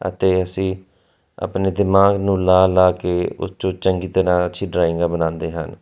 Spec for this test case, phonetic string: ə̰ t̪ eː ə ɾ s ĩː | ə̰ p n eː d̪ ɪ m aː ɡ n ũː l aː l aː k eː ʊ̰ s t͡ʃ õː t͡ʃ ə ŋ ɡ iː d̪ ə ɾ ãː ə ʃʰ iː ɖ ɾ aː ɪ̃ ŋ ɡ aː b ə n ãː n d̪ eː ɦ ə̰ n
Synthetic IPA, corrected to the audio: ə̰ t̪ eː ə s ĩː | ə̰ p n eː d̪ ɪ m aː ɡ n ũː l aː l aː k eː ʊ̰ s t͡ʃ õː t͡ʃ ə ŋ ɡ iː t̪ ə ɾ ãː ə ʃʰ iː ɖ ɾ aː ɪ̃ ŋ ɡ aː b ə n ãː n d̪ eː ɦ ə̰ n